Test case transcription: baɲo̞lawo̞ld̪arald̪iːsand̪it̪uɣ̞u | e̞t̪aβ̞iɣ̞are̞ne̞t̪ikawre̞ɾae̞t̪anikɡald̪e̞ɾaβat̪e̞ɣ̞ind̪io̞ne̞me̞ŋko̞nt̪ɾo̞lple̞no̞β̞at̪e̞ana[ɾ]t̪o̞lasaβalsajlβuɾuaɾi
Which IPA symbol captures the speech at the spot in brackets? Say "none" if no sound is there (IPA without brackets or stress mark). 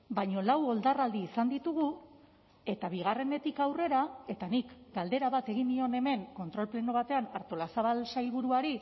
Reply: ɾ